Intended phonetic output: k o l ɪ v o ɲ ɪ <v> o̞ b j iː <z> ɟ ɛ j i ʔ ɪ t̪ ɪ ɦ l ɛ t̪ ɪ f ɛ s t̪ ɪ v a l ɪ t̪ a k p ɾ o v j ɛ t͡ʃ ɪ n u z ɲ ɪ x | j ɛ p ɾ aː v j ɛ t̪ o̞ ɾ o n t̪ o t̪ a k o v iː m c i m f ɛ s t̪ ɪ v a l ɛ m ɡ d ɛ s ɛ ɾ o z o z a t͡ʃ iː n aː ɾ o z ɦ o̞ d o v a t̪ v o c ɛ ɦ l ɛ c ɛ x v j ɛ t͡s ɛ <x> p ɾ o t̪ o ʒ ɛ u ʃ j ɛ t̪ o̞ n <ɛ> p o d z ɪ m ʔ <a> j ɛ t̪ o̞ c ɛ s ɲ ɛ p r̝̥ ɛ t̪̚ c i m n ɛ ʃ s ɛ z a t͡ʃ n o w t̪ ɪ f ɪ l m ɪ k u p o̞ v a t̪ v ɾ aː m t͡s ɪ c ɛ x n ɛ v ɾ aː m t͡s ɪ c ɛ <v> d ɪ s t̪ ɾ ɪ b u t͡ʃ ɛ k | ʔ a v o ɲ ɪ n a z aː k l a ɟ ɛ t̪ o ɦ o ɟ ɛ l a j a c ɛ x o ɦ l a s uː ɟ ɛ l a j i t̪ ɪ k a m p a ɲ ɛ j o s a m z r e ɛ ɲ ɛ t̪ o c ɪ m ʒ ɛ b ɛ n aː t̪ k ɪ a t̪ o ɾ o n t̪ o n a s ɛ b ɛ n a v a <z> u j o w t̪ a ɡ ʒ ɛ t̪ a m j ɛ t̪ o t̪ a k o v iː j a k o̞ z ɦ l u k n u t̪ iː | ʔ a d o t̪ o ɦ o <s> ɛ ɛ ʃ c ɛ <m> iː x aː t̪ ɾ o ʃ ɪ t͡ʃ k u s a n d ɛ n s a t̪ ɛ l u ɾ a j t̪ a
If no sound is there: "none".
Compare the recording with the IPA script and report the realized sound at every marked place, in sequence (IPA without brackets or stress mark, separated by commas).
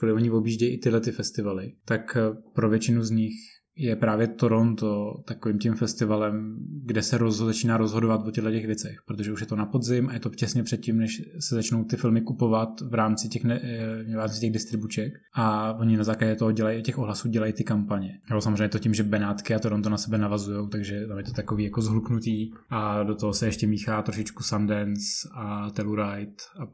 v, ʒ, x, a, a, ɣ, z, s, m